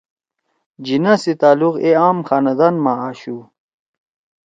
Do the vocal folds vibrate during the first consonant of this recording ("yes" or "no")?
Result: yes